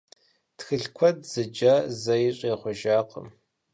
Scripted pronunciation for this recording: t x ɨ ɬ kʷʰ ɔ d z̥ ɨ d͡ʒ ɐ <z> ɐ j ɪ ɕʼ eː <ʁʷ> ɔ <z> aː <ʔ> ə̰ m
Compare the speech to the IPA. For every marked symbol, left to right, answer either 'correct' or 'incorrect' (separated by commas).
correct, incorrect, incorrect, incorrect